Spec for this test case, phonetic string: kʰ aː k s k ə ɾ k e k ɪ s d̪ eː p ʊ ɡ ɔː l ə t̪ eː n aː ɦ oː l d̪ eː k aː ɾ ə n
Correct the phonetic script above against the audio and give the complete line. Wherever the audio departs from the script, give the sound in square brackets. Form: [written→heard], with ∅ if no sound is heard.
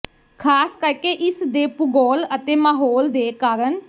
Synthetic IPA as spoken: kʰ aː [k→∅] s k ə ɾ k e [k→ʔ] ɪ s d̪ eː p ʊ ɡ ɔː l ə t̪ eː [n→m] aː ɦ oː l d̪ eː k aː ɾ ə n